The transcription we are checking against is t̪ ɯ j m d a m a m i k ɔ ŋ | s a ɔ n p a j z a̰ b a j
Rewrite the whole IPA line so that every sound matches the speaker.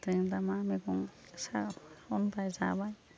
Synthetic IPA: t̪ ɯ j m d a m a m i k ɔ ŋ | s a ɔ n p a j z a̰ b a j